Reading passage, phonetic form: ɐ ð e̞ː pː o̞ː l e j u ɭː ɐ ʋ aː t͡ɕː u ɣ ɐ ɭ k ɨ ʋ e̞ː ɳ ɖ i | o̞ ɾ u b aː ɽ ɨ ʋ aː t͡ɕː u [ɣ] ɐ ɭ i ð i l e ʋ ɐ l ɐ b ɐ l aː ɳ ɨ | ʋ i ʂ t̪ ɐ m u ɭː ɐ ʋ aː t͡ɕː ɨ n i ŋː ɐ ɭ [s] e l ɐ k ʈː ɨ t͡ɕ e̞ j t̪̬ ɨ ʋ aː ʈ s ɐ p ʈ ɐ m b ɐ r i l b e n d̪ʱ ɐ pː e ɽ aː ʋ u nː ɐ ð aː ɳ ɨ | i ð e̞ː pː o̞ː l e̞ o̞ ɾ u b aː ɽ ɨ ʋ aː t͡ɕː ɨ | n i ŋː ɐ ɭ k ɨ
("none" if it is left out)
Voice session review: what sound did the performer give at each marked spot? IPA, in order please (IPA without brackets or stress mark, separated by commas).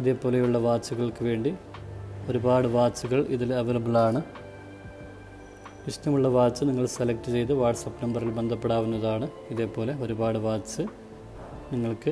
ɣ, s